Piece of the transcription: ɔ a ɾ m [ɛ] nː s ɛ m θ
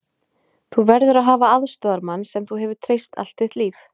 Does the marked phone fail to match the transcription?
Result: yes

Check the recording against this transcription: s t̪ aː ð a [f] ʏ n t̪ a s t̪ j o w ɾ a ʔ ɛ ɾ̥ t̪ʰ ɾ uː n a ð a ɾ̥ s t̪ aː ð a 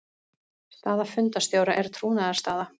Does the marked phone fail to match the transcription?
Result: no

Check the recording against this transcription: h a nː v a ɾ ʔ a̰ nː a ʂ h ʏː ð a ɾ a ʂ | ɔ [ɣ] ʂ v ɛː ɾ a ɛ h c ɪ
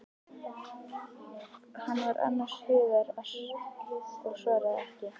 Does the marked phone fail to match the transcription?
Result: no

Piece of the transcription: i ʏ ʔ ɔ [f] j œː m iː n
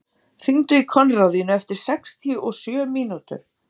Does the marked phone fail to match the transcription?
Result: yes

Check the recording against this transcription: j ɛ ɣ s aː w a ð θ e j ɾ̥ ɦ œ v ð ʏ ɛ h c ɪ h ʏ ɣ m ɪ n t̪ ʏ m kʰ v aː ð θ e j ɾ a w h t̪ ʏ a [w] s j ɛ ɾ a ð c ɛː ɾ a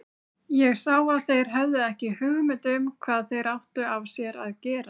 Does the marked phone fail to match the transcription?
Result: yes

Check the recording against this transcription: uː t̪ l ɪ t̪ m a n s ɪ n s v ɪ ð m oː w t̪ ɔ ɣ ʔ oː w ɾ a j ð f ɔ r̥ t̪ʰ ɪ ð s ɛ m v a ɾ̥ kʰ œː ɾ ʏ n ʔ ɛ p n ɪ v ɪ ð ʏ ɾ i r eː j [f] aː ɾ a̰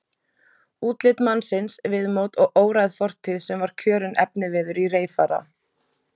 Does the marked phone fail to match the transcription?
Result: no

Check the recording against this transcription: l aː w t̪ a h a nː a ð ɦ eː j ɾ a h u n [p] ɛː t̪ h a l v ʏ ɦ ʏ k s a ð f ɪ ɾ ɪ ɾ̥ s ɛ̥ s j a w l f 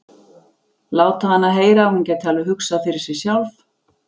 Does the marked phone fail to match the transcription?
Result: yes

